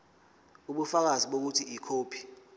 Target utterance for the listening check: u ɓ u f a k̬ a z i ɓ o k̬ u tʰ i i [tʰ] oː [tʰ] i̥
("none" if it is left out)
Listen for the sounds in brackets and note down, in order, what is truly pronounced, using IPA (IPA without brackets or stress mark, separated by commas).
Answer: kʰ, pʰ